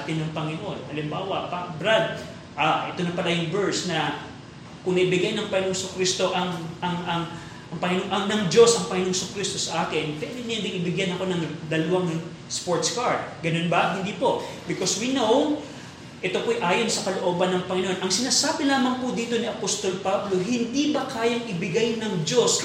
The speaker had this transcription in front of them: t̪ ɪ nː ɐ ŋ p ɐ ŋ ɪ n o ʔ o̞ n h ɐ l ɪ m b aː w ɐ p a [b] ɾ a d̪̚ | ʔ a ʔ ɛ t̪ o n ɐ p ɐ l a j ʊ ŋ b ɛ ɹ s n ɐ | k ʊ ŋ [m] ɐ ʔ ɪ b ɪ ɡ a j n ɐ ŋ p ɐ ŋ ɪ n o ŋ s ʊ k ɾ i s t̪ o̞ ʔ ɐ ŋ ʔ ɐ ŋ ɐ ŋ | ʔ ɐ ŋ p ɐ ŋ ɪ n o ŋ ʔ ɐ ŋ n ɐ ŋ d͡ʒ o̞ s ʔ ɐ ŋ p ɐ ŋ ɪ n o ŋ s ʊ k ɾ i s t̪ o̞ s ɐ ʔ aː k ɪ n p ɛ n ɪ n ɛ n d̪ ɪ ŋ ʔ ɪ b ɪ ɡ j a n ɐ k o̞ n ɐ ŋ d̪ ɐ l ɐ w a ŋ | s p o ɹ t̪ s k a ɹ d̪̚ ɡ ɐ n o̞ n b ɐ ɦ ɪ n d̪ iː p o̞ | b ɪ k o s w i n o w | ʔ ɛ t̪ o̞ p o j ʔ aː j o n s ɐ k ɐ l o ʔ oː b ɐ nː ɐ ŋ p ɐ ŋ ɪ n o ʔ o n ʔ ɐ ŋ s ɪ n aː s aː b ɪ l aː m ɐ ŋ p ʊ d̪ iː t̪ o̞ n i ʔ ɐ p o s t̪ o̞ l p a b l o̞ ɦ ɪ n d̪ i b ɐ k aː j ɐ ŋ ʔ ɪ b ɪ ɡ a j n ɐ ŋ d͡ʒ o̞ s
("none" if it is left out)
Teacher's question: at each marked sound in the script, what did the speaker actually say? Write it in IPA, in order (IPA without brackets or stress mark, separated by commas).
b, n